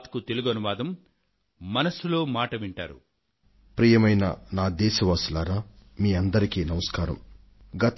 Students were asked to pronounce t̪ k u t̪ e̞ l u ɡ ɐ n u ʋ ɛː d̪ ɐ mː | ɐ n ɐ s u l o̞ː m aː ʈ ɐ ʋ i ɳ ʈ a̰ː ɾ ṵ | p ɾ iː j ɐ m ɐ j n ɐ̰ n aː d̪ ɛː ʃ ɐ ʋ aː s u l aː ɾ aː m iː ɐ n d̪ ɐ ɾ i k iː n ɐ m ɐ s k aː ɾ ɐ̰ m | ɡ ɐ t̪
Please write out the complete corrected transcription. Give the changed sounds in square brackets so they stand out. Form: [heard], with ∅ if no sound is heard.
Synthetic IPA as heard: t̪ k u t̪ e̞ l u ɡ ɐ n u ʋ [aː] d̪ ɐ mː | ɐ n ɐ s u l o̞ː m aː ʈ ɐ ʋ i ɳ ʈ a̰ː ɾ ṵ | p ɾ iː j ɐ m ɐ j n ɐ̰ n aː d̪ ɛː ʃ ɐ ʋ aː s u l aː ɾ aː m iː ɐ n d̪ ɐ ɾ i k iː n ɐ m ɐ s k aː ɾ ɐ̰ m | ɡ ɐ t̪